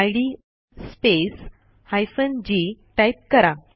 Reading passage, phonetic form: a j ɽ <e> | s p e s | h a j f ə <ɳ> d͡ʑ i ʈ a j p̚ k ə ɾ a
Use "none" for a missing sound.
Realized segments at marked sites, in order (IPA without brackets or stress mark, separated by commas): i, n